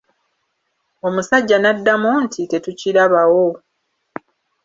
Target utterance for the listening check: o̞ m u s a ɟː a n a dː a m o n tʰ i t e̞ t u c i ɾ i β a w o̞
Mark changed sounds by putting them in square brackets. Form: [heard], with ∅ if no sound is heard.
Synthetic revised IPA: o̞ m u s a ɟː a n a dː a m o n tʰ i t e̞ t u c i ɾ [a] β a w o̞